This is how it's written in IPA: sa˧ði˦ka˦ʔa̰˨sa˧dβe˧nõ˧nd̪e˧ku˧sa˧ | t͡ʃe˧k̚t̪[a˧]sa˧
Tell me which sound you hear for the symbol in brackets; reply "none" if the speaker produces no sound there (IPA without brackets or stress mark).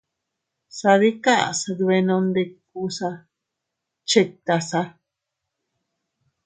a˧